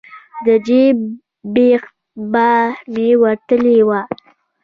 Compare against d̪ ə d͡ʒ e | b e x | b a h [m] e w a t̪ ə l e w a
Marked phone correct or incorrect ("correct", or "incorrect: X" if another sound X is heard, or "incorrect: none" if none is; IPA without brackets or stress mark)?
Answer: correct